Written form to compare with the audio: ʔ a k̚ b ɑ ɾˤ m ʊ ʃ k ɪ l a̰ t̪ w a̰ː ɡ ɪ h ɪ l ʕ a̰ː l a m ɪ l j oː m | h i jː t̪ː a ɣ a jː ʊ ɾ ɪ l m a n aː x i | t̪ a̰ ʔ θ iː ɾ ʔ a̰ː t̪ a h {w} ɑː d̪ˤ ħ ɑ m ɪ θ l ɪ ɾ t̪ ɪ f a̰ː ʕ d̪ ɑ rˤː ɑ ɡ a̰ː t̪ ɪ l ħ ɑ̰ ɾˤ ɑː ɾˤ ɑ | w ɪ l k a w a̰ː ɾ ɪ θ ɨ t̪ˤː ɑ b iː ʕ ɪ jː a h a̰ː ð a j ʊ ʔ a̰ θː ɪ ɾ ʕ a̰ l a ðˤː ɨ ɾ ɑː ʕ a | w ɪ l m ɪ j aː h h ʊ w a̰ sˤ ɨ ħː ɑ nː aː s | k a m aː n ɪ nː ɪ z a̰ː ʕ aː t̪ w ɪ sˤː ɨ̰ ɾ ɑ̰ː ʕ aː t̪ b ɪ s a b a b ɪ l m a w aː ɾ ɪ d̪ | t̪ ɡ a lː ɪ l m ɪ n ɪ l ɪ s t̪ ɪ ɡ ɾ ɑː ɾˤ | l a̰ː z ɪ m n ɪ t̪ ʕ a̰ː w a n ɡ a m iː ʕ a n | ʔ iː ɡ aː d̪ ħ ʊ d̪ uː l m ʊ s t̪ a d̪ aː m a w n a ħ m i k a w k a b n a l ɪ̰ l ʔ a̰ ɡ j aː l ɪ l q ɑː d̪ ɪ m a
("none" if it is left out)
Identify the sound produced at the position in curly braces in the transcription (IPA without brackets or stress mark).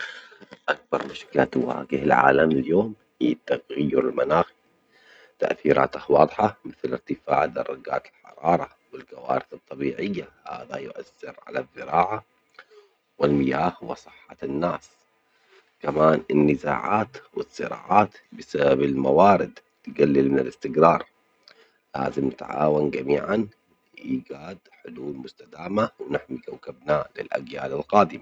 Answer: w